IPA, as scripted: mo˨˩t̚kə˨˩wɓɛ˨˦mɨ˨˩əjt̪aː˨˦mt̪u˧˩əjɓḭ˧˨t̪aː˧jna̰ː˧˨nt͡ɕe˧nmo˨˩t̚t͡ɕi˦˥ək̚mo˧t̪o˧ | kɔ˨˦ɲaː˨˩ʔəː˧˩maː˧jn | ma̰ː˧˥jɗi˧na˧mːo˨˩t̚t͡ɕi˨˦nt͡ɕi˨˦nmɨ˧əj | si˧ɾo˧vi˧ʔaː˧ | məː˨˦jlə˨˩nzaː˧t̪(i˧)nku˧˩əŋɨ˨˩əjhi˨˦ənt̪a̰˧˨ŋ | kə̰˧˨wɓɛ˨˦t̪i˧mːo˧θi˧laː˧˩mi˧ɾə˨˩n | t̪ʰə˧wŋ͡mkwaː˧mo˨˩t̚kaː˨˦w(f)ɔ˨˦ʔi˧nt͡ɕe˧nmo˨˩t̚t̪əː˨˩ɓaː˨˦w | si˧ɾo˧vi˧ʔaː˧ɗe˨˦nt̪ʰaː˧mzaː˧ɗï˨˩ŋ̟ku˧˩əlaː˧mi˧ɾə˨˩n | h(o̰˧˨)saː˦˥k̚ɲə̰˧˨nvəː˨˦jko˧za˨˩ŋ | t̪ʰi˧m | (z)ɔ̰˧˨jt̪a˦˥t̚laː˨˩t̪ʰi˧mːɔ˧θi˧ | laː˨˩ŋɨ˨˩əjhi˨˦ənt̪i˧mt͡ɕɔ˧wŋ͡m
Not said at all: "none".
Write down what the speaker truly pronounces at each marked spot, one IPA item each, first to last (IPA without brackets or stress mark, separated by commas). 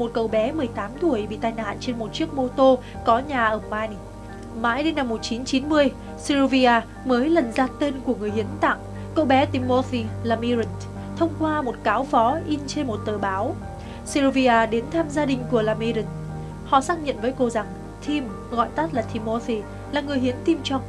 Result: e˧, f, ɔ̰˧˨, ɣ